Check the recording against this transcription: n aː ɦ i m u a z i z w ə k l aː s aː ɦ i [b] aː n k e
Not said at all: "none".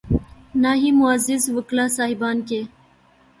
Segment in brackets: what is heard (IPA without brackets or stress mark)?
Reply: b